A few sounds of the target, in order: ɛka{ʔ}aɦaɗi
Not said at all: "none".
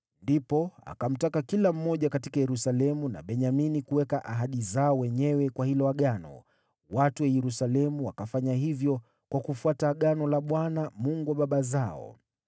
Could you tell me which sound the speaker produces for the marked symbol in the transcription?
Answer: ʔ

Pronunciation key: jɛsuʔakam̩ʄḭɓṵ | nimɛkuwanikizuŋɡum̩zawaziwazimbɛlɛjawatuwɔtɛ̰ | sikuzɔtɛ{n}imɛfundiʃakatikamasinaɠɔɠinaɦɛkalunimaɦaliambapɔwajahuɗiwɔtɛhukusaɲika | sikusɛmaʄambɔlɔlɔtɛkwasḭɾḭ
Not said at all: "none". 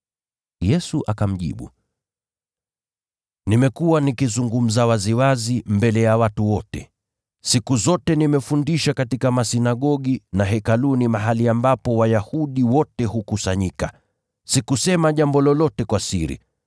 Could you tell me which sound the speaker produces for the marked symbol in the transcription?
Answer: n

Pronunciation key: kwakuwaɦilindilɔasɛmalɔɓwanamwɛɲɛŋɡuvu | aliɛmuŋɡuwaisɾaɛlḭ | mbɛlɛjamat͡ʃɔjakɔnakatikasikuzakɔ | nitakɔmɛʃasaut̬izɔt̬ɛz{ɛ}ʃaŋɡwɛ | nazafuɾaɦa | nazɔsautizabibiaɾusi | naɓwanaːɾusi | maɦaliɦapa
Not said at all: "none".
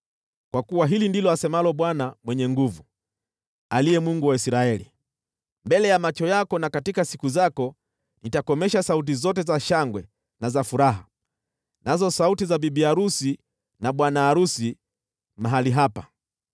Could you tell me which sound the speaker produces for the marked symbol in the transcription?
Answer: a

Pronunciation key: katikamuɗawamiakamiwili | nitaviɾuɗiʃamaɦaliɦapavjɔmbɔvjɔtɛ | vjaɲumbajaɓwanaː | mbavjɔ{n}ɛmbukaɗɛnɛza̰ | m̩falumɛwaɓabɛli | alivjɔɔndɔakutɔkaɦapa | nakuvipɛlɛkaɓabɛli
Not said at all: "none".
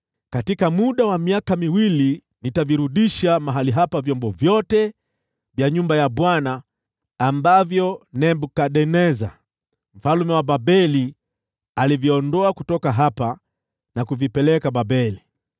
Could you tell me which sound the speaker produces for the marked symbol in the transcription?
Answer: n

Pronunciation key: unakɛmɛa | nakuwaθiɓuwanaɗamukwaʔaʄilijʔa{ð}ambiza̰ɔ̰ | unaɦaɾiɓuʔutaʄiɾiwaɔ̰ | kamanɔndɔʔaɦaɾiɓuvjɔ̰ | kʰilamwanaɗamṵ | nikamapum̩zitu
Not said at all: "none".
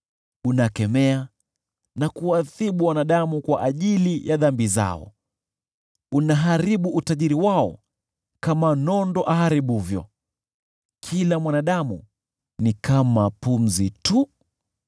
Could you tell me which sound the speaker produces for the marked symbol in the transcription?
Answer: ð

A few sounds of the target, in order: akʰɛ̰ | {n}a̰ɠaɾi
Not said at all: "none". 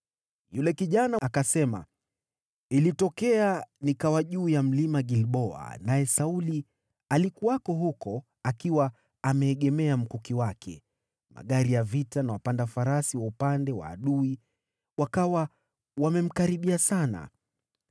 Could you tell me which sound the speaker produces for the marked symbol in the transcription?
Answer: m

